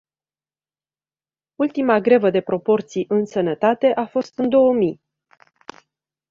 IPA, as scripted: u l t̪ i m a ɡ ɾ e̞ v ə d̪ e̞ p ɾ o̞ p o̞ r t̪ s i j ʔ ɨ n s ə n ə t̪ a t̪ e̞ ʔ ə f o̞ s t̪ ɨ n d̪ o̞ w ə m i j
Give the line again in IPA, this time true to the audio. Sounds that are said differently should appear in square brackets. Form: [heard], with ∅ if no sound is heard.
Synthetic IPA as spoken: u l t̪ i m a ɡ ɾ e̞ v ə d̪ e̞ p ɾ o̞ p o̞ r t̪ s i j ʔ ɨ n s ə n ə t̪ a t̪ e̞ ʔ [a] f o̞ s t̪ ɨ n d̪ o̞ w ə m i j